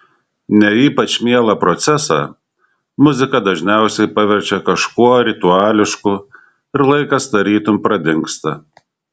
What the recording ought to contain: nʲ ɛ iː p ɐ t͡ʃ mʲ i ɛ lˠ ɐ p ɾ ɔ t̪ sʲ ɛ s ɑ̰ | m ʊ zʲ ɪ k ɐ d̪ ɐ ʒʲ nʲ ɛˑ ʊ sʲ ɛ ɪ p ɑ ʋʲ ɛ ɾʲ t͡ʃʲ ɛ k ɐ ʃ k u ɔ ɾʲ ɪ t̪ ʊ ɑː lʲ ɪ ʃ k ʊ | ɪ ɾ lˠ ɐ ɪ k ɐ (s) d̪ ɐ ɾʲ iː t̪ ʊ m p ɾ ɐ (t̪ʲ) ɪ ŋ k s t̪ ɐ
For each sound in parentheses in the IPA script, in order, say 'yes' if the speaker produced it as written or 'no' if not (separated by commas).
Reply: yes, no